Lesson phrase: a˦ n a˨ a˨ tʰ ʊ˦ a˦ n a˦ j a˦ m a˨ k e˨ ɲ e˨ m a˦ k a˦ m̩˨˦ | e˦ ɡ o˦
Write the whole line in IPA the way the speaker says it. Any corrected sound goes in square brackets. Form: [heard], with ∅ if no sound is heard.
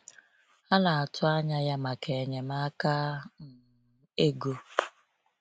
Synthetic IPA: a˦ n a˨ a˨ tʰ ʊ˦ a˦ [ɲ] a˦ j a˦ m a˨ k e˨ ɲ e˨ m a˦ k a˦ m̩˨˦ | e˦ ɡ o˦

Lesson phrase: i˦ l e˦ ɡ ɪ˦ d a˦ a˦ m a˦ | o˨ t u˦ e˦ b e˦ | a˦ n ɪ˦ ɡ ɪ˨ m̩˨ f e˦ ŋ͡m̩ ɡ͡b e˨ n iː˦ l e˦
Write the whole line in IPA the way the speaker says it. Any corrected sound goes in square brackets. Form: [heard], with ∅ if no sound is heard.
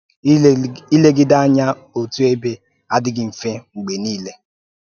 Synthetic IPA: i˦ l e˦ ɡ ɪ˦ d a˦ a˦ [ɲ] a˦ | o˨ t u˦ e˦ b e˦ | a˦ [d] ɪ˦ ɡ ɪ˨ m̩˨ f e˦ ŋ͡m̩ ɡ͡b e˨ n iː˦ l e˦

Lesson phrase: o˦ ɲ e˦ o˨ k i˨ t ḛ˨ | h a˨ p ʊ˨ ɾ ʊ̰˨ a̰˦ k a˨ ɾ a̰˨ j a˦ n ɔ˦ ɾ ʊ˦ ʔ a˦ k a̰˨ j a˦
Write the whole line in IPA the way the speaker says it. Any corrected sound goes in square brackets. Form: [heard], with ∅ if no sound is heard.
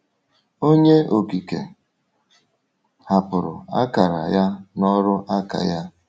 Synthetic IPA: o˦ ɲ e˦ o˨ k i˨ [k] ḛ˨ | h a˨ p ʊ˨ ɾ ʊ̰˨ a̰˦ k a˨ ɾ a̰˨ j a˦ n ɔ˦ ɾ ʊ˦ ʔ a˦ k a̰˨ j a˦

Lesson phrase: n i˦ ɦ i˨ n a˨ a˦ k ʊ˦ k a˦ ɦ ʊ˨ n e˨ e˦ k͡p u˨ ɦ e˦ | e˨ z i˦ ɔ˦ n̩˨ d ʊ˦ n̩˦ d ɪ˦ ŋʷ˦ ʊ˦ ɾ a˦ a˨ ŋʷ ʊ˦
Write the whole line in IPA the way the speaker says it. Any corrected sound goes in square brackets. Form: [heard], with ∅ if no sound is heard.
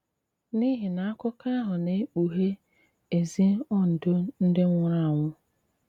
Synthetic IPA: n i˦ ɦ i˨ n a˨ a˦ k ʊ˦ k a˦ ɦ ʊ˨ n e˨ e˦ k͡p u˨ ɦ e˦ | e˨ z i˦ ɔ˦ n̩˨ d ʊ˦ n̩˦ d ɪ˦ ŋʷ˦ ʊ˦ ɾ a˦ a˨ ŋʷ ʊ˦

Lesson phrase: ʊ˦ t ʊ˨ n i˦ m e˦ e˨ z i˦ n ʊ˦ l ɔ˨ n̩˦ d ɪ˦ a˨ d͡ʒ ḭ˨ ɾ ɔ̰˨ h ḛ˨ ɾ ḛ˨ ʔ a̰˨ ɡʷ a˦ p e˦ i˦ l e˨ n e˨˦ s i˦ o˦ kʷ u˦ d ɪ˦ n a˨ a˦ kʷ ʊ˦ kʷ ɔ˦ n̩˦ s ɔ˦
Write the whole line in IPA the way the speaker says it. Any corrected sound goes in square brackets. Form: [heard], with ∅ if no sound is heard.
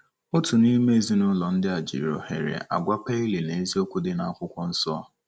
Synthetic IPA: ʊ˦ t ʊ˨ n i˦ m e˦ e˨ z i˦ n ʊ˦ l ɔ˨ n̩˦ d ɪ˦ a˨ d͡ʒ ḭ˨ ɾ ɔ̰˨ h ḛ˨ ɾ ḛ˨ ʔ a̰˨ ɡʷ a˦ p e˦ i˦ l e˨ n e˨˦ [z] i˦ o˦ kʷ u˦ d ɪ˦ n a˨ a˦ kʷ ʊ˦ kʷ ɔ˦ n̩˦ s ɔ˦

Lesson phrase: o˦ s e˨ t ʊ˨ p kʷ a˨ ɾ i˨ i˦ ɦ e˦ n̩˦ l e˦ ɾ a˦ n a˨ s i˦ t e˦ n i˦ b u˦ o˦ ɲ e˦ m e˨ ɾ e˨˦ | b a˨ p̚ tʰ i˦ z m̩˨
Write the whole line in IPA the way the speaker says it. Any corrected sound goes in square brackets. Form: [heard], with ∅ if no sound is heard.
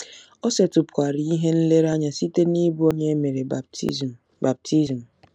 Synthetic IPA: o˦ s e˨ t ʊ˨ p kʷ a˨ ɾ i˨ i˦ ɦ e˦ n̩˦ l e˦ ɾ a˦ [ɲ] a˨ s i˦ t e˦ n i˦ b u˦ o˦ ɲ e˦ m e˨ ɾ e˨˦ | b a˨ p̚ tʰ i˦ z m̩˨

